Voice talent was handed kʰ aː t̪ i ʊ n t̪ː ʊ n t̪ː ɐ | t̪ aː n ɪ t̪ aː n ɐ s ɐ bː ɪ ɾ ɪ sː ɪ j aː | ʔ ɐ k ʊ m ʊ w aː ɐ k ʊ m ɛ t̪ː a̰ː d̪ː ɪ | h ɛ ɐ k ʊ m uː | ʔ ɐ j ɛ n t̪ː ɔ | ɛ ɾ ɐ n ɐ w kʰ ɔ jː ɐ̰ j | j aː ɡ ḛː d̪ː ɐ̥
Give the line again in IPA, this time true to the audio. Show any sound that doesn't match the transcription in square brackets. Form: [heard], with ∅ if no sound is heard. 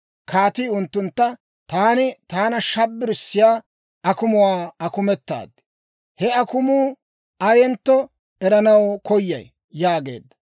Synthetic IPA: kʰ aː t̪ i ʊ n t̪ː ʊ n t̪ː ɐ | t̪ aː n ɪ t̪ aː n ɐ [ʃ] ɐ bː ɪ ɾ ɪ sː ɪ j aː | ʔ ɐ k ʊ m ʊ w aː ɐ k ʊ m ɛ t̪ː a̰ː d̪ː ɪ | h ɛ ɐ k ʊ m uː | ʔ ɐ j ɛ n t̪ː ɔ | ɛ ɾ ɐ n ɐ w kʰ ɔ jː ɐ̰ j | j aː ɡ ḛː d̪ː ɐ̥